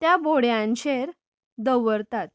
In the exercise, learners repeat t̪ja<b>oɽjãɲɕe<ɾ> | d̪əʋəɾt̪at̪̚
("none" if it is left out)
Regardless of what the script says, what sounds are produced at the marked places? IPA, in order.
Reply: b, ɾ

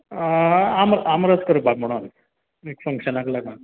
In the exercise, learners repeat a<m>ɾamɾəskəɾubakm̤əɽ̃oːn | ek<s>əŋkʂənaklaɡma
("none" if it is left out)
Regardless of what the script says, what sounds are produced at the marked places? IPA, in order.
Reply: m, f

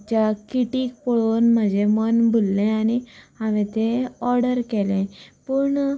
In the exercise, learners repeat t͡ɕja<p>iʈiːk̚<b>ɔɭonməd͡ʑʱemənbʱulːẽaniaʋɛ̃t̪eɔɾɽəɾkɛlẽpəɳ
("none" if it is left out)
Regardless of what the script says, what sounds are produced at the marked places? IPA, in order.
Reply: k, p

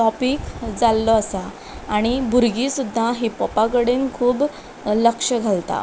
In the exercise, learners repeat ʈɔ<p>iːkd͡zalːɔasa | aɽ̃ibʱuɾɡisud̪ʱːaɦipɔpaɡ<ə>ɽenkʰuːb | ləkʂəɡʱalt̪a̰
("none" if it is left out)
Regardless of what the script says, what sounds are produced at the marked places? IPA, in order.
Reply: p, ə

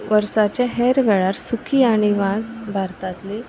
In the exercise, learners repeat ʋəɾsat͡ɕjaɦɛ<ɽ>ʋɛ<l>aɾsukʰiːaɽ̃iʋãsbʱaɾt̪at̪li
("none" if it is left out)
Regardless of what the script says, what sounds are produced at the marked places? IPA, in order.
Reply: ɾ, ɭ

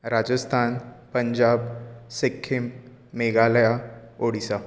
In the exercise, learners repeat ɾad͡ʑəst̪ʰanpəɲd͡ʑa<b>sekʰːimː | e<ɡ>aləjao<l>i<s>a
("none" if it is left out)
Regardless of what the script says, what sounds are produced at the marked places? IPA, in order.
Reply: b, ɡ, ɽ, s

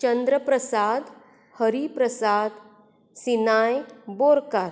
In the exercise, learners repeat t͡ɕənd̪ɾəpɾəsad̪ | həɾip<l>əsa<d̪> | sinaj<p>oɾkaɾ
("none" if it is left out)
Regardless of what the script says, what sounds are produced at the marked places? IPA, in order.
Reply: ɾ, d̪, b

